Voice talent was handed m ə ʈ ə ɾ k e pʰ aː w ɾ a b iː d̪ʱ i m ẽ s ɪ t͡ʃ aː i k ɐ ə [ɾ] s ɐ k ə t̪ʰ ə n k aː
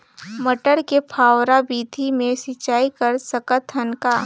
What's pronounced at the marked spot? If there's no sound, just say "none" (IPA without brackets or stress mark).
ɾ